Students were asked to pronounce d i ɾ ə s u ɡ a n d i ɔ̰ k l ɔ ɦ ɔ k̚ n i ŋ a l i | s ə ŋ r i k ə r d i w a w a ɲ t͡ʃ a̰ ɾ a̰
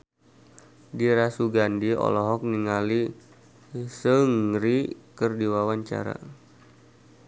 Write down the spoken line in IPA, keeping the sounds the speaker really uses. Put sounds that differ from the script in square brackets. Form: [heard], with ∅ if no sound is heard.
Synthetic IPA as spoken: d i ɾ [a] s u ɡ a n d i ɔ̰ [∅] l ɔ ɦ ɔ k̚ n i ŋ a l i | s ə ŋ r i k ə r d i w a w a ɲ t͡ʃ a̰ ɾ a̰